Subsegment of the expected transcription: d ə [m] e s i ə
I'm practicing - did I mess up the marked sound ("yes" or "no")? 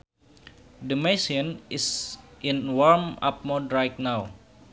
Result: no